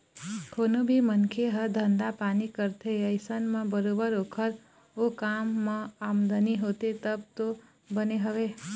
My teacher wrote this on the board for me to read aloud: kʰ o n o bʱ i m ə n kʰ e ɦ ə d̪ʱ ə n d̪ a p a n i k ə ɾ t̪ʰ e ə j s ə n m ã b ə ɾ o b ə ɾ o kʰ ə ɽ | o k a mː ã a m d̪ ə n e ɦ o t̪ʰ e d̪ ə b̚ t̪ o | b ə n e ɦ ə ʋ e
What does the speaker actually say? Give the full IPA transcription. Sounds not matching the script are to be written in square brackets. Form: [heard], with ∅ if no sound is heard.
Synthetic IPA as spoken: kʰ o n o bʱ i m ə n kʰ e ɦ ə d̪ʱ ə n d̪ a p a n i k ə ɾ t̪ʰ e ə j s ə n m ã b ə ɾ o b ə ɾ o kʰ ə [ɾ] | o k a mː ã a m d̪ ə n [i] ɦ o [t̪] e [t̪] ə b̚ t̪ o | b ə n e ɦ ə ʋ e

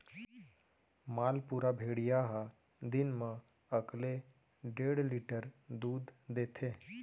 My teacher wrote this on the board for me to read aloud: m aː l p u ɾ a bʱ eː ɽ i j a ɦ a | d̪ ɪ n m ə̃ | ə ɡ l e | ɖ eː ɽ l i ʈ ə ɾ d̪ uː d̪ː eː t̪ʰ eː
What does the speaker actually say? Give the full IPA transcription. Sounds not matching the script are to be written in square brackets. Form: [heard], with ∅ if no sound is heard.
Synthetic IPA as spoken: m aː l p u ɾ a bʱ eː ɽ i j a ɦ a | d̪ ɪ n m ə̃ | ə [k] l e | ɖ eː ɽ l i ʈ ə ɾ d̪ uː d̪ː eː t̪ʰ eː

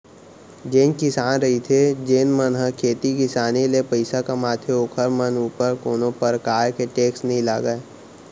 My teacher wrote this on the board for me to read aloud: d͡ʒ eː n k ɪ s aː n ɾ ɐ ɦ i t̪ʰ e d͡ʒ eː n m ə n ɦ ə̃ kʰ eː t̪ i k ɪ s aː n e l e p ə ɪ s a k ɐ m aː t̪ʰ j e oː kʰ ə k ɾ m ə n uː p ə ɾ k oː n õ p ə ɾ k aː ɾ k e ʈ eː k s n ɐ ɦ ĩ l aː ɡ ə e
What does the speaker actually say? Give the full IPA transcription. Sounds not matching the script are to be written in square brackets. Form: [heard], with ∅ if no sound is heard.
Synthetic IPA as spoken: d͡ʒ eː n k ɪ s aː n ɾ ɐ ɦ i t̪ʰ e d͡ʒ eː n m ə n ɦ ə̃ kʰ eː t̪ i k ɪ s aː n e l e p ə ɪ s a k [a] m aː t̪ʰ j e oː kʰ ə [∅] ɾ m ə n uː p ə ɾ k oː n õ p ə ɾ k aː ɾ k e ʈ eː k s n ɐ ɦ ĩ l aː ɡ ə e

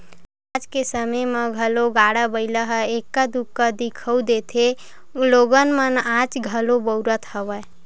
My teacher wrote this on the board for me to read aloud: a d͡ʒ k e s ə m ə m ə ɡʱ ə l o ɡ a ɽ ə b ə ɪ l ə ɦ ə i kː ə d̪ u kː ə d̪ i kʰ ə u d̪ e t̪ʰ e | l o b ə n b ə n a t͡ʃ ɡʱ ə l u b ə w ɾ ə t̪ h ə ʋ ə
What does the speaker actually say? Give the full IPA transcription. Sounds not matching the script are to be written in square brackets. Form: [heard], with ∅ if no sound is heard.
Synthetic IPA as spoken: a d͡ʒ k e s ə m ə m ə ɡʱ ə l o ɡ a ɽ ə b ə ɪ l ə ɦ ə [e] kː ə d̪ u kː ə d̪ i kʰ ə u d̪ e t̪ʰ e | l o [ɡ] ə n [m] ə n a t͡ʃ ɡʱ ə l [o] b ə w ɾ ə t̪ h ə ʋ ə

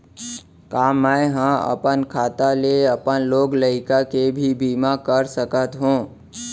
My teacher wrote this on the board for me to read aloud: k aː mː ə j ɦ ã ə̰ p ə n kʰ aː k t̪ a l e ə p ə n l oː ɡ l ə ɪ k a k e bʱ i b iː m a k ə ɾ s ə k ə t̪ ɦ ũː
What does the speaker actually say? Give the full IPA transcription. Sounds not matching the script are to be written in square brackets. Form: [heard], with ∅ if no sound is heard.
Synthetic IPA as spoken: k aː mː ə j ɦ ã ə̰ p ə n kʰ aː [∅] t̪ a l e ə p ə n l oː ɡ l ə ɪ k a k e bʱ i b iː m a k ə ɾ s ə k ə t̪ ɦ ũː

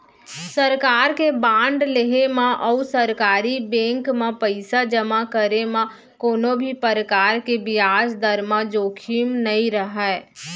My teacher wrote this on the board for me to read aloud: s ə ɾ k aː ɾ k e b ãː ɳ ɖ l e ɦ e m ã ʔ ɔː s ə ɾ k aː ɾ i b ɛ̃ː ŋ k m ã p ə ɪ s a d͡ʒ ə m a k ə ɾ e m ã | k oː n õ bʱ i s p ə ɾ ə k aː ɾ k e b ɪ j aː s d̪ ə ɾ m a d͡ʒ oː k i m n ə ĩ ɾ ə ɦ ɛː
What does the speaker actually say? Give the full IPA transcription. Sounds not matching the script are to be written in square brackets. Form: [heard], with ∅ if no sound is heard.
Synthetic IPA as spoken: s ə ɾ k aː ɾ k e b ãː ɳ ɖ l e ɦ e m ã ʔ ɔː s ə ɾ k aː ɾ i b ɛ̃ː ŋ k m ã p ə ɪ s a d͡ʒ ə m a k ə ɾ e m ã | k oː n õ bʱ i [∅] p ə ɾ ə k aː ɾ k e b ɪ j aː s d̪ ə ɾ m a d͡ʒ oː [kʰ] i m n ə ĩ ɾ ə ɦ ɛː

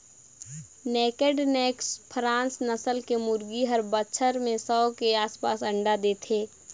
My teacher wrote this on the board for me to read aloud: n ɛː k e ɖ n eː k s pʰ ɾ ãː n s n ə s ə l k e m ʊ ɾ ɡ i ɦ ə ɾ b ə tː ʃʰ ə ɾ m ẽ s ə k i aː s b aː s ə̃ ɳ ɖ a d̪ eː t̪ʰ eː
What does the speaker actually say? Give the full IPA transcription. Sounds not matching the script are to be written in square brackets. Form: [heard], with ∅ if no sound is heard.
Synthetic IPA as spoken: n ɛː k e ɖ n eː k s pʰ ɾ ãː n s n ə s ə l k e m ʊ ɾ ɡ i ɦ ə ɾ b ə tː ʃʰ ə ɾ m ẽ s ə k [e] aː s [p] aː s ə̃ ɳ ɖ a d̪ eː t̪ʰ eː

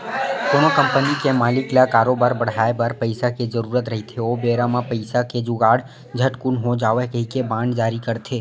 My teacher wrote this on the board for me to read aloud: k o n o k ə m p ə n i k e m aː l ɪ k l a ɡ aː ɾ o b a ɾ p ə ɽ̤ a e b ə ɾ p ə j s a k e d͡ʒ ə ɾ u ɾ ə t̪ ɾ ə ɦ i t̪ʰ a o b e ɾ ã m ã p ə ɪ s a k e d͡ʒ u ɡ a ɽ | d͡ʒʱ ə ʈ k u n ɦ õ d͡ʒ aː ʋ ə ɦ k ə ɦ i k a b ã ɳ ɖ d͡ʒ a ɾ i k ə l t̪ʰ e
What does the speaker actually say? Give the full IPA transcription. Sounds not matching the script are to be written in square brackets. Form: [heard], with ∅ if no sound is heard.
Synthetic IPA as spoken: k o n o k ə m p ə n i k e m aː l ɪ k l a [k] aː ɾ o b a ɾ [b] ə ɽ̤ a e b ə ɾ p ə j s a k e d͡ʒ ə ɾ u ɾ ə t̪ ɾ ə ɦ i t̪ʰ [e] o b e ɾ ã m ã p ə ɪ s a k e d͡ʒ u ɡ a ɽ | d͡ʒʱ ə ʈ k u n ɦ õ d͡ʒ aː ʋ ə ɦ k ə ɦ i k [e] b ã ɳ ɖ d͡ʒ a ɾ i k ə [ɾ] t̪ʰ e

